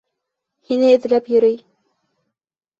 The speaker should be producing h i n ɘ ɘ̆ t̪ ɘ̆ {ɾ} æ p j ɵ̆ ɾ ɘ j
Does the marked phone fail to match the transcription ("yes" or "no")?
yes